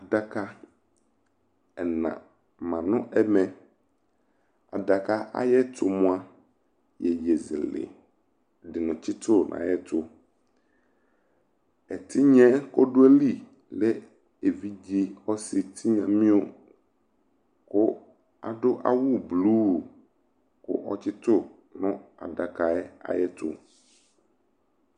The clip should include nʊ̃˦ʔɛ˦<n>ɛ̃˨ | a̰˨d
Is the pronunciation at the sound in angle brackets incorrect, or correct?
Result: incorrect